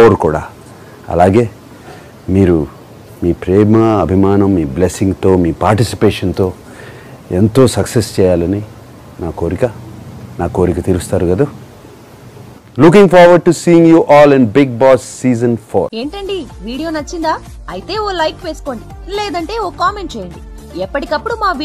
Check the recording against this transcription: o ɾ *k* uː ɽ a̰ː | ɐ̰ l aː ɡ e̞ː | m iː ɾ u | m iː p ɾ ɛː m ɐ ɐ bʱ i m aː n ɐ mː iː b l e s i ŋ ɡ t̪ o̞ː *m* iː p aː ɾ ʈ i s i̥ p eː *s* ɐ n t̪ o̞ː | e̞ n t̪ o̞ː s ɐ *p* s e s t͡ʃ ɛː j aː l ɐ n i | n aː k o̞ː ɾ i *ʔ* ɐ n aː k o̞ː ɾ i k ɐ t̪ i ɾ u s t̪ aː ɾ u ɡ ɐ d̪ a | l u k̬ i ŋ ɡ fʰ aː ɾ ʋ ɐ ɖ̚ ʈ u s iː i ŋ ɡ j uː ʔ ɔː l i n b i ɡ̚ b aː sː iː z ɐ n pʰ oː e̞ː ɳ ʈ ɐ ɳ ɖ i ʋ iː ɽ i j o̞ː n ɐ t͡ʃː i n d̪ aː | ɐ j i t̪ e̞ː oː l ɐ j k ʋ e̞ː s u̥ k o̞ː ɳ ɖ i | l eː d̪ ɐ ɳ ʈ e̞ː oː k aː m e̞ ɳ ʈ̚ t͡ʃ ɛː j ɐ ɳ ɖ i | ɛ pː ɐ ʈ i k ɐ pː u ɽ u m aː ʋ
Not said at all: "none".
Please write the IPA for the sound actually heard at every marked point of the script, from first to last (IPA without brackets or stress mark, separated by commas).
k, m, ʂ, k, k